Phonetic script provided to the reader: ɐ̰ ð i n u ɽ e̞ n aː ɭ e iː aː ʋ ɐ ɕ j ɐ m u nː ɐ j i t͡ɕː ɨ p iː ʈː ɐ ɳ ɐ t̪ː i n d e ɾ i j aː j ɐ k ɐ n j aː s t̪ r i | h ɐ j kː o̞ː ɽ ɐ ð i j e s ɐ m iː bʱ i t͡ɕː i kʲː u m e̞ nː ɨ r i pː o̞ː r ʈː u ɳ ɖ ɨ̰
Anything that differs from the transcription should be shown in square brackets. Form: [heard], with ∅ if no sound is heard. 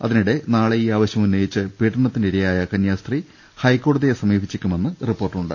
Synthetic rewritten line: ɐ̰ ð i n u ɽ e̞ n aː ɭ e iː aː ʋ ɐ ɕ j ɐ m u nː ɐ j i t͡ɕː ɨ p iː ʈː ɐ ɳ ɐ t̪ː i n d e ɾ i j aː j ɐ k ɐ n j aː s t̪ r i | h ɐ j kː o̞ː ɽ ɐ ð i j e s ɐ m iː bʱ i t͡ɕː i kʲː u m e̞ nː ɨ r i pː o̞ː r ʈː u ɳ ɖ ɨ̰